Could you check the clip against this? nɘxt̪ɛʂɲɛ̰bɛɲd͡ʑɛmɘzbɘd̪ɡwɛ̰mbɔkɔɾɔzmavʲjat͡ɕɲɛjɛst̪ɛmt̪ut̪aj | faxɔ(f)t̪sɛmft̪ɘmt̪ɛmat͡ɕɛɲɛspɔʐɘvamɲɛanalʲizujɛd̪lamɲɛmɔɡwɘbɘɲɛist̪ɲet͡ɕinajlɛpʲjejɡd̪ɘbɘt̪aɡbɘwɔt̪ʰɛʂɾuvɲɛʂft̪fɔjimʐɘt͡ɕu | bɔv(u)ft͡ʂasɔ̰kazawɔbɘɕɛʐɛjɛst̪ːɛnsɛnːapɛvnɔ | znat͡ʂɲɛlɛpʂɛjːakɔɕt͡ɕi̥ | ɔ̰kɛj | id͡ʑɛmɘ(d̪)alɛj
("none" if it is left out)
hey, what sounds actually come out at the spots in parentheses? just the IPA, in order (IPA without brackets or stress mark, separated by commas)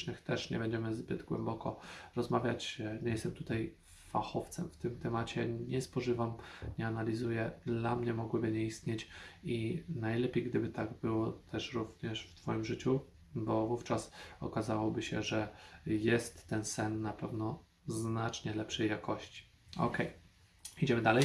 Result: f, u, d̪